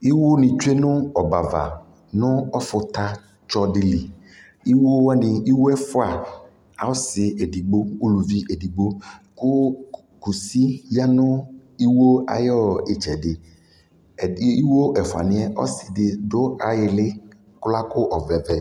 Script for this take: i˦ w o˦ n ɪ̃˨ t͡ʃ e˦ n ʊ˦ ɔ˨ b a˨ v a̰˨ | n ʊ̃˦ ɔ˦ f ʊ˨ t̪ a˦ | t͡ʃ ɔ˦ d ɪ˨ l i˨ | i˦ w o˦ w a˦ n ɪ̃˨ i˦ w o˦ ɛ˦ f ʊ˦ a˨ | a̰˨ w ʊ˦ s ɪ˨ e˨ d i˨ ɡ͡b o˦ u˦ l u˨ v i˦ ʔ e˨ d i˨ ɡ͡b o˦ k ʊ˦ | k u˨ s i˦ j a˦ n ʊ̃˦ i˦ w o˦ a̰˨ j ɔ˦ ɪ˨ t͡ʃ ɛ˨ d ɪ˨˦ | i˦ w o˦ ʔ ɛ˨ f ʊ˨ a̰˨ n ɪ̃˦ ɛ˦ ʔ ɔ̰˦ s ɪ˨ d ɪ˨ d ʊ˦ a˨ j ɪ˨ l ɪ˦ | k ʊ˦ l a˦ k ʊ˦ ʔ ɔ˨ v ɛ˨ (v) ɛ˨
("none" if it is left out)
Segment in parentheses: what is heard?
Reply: v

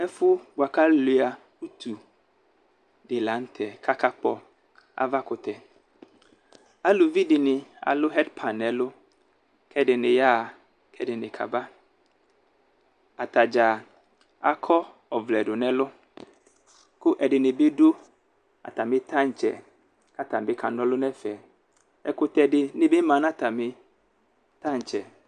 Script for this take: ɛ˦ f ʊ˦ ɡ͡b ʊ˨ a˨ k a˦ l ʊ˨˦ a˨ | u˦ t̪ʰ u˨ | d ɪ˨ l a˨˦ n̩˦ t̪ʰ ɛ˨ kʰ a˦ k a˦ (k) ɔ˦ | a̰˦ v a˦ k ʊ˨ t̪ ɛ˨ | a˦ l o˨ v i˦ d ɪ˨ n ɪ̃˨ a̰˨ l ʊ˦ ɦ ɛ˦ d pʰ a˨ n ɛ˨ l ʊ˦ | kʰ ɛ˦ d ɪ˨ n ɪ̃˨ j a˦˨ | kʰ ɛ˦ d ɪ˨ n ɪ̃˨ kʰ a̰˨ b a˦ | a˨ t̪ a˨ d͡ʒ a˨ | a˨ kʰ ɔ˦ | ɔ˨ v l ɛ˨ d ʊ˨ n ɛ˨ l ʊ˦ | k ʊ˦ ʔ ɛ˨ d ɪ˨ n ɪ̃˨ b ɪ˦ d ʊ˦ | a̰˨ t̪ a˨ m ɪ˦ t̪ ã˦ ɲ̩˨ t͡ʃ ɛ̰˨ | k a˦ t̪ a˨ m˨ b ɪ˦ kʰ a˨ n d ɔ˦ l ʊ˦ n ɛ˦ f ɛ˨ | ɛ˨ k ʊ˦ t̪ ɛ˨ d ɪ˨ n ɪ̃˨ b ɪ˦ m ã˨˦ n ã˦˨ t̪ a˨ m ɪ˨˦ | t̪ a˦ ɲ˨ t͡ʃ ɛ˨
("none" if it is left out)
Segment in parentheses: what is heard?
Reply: k͡p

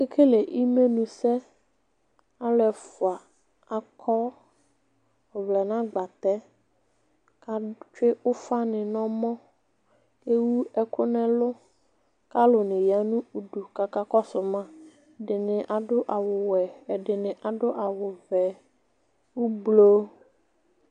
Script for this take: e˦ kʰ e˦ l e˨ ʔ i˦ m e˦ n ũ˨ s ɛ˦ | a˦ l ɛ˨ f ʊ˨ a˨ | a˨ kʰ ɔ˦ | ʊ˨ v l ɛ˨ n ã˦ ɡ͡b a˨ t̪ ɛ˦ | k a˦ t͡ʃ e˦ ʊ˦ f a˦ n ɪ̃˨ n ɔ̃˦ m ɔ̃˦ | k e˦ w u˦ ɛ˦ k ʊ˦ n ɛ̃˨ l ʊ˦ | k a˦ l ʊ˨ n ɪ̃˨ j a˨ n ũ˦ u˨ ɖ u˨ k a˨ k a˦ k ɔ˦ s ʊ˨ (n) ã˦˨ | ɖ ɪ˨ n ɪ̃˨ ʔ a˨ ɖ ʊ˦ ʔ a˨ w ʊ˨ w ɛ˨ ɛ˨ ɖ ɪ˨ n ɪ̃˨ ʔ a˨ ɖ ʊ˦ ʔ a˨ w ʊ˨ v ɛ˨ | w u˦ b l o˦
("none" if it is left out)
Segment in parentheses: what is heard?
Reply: m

